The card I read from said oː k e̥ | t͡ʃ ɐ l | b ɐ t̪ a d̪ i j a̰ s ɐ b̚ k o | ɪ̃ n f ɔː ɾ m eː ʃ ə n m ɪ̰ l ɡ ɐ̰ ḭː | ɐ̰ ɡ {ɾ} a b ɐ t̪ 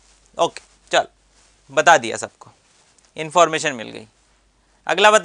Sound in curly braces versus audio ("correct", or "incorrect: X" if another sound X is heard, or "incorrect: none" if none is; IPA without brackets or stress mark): incorrect: l